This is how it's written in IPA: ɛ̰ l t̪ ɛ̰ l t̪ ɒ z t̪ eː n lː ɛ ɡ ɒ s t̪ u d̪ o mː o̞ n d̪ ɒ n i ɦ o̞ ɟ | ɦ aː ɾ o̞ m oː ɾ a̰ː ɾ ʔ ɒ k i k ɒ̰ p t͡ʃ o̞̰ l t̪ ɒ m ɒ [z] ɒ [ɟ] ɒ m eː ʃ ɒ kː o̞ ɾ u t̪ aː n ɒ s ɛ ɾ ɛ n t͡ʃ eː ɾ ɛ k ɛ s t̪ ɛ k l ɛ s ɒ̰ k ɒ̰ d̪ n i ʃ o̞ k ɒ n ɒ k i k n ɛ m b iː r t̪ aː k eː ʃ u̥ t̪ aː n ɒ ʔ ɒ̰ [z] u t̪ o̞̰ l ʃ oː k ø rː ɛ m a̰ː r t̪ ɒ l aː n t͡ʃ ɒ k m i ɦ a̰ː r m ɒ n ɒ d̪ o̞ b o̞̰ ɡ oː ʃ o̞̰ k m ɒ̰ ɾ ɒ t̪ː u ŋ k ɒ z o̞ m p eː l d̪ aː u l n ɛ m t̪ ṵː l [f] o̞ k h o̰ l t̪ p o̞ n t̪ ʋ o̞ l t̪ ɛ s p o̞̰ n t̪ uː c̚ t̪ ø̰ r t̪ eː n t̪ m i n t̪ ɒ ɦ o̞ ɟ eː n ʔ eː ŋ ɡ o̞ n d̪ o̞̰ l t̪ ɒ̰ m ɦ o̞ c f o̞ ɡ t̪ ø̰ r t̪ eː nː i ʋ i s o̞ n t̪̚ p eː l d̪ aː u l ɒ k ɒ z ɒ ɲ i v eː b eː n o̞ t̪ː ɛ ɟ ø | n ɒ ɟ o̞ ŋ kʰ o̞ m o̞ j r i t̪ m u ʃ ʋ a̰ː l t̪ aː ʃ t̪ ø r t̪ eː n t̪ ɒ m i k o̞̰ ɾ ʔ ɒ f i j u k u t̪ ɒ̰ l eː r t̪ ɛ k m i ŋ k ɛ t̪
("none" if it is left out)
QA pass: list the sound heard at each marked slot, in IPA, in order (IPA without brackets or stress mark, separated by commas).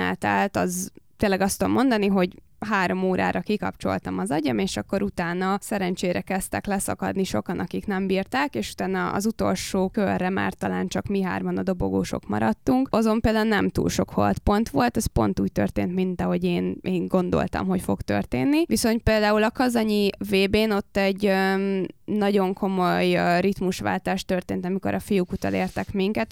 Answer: z, ɟ, z, ʃ